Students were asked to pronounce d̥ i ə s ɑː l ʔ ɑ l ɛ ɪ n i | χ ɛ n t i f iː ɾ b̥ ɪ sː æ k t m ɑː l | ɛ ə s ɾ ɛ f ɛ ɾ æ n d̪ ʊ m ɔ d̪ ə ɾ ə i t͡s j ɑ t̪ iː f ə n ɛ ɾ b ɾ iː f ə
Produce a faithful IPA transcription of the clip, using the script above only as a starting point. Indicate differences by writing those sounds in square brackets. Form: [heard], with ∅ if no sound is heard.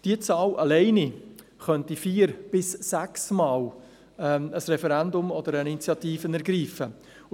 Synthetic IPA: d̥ i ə [t͡s] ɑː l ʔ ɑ l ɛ ɪ n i | χ [œ] n t i f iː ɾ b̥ ɪ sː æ k [s] m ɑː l | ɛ ə s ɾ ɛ f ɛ ɾ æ n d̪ ʊ m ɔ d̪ ə ɾ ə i t͡s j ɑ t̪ iː f ə n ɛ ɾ [ɡ] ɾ iː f ə